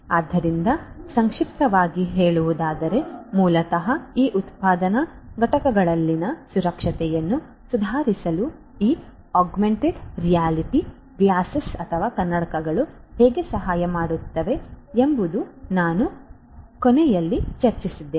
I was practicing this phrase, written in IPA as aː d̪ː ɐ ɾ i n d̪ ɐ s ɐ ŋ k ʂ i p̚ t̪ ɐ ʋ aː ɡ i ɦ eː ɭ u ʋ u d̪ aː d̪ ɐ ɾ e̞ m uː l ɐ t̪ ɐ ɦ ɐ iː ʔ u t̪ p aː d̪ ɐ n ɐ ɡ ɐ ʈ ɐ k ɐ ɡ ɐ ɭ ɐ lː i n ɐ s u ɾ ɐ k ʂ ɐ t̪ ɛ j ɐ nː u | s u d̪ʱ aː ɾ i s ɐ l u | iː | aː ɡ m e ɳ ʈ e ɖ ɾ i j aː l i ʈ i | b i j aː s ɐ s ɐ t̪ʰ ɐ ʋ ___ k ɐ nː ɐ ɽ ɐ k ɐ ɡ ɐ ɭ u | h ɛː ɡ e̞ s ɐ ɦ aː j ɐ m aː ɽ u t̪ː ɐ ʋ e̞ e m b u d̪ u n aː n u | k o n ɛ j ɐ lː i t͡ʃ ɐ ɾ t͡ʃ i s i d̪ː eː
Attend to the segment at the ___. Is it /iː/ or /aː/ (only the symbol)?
aː